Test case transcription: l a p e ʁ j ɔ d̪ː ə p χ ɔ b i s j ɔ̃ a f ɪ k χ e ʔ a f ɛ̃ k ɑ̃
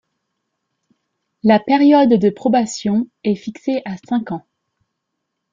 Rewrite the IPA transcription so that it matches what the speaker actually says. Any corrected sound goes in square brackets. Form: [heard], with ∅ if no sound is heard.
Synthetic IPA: l a p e ʁ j ɔ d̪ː ə p χ ɔ b [a] s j ɔ̃ [ɛ] f [i] k [s] e ʔ a [s] ɛ̃ k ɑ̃